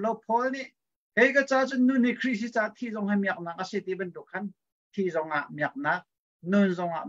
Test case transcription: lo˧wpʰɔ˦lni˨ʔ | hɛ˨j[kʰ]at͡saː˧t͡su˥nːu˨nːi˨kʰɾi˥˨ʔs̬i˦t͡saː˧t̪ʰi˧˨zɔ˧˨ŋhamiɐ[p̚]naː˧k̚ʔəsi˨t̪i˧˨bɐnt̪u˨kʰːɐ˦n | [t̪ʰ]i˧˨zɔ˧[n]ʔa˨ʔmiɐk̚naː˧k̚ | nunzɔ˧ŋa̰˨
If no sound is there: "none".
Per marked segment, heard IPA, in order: k, k̚, t̪ʰ, ŋ

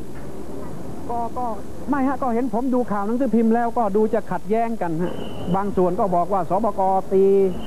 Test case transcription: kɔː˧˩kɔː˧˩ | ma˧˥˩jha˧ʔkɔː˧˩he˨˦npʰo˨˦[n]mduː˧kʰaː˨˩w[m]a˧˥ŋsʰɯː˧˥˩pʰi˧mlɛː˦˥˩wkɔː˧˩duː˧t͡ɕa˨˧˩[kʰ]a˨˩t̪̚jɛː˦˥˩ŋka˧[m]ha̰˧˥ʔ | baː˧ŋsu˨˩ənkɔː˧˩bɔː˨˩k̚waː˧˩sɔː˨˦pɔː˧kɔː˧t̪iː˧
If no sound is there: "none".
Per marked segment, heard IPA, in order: none, n, kʰ, n

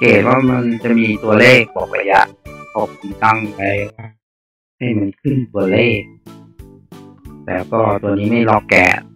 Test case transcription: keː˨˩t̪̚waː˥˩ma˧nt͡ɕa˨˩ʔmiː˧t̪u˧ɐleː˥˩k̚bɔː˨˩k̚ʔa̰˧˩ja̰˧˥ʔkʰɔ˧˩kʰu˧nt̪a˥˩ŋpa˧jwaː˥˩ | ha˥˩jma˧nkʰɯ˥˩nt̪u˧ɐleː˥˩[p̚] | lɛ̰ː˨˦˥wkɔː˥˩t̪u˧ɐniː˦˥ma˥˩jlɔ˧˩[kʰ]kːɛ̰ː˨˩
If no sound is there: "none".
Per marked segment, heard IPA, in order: k̚, k

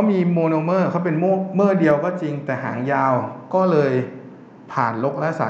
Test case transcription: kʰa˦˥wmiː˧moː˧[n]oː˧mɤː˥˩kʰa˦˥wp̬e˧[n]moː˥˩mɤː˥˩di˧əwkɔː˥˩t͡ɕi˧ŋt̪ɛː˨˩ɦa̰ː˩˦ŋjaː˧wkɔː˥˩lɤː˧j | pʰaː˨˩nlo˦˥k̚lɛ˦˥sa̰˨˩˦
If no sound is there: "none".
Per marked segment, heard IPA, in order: n, n

